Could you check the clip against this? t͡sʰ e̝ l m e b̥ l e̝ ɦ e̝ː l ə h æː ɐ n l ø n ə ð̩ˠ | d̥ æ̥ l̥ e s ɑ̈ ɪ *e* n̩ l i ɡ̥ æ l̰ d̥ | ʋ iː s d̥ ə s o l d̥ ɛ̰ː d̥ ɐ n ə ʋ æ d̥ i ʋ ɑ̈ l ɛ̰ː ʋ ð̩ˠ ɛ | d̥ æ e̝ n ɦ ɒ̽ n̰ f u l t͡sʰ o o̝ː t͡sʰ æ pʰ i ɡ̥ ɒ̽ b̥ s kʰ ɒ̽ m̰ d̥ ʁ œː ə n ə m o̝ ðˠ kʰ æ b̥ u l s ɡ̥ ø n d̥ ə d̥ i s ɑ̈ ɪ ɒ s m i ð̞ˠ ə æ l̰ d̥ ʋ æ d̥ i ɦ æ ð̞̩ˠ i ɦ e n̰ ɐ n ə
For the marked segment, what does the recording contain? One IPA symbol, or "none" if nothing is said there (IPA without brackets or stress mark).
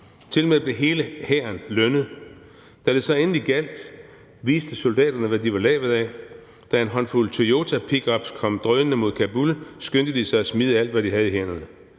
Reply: e